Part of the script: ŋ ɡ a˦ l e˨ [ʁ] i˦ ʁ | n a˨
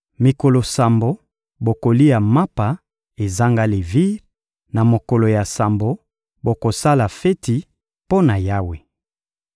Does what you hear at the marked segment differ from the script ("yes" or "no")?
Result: yes